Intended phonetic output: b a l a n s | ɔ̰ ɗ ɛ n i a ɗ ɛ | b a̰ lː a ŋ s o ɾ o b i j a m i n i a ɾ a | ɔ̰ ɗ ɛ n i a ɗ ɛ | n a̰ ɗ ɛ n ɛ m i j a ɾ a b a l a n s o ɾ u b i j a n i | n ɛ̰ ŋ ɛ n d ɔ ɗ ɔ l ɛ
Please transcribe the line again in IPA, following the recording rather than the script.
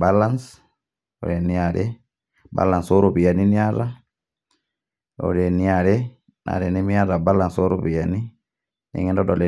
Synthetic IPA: b a l a n s | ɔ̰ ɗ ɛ n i a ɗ ɛ | b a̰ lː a n s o ɾ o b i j a n i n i a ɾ a | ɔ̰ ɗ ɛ n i a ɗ ɛ | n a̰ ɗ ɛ n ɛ m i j a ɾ a b a l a n s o ɾ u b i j a n i | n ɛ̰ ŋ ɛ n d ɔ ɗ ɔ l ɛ